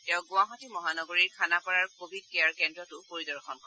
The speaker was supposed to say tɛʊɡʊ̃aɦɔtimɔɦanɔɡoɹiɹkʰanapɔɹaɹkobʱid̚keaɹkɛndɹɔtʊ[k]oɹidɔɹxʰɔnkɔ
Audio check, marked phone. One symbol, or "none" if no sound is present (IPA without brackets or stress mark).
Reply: p